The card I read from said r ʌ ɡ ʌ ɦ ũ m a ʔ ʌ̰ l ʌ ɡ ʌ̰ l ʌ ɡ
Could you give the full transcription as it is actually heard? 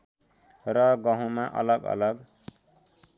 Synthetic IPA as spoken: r ʌ ɡ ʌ ɦ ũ m a ʔ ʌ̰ l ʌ ɡ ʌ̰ l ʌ ɡ